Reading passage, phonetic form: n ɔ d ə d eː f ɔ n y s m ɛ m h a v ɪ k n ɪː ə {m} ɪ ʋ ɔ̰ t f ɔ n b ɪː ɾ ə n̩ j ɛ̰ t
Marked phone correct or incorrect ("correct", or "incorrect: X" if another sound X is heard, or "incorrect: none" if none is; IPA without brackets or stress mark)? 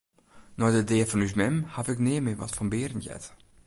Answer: correct